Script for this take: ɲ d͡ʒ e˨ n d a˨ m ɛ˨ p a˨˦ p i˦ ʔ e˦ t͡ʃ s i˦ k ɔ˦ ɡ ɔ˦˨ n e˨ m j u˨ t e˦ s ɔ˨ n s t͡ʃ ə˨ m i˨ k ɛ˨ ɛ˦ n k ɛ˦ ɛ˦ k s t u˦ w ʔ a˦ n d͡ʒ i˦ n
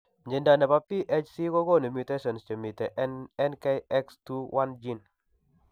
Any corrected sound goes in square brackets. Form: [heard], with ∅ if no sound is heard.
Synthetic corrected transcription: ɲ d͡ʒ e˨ n d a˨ [n] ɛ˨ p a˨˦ p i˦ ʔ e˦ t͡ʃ s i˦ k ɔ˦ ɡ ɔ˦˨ n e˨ m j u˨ t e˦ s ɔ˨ n s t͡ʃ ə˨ m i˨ [t] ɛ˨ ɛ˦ n k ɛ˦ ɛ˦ k s t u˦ w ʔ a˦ n d͡ʒ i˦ n